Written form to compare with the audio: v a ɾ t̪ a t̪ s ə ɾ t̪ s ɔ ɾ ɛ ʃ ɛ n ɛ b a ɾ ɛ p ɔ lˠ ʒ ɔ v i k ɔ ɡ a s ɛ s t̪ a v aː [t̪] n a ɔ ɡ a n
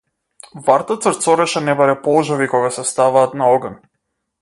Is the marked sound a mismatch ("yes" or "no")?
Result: no